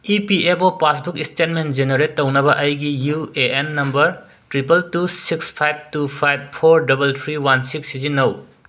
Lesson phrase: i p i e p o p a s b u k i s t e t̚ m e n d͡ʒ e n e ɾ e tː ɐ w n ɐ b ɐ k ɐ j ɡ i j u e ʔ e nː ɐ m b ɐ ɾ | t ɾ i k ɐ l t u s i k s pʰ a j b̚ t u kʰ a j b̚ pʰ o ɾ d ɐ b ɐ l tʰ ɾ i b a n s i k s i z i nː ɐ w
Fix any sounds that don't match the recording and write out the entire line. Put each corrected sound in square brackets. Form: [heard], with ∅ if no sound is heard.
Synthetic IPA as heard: i p i e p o p a s b u k i s t e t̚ m e n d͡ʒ e n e ɾ e tː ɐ w n ɐ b ɐ [ʔ] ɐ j ɡ i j u e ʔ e nː ɐ m b ɐ ɾ | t ɾ i [p] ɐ l t u s i k s pʰ a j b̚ t u [pʰ] a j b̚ pʰ o ɾ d ɐ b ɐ l tʰ ɾ i [w] a n s i k s i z i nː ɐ w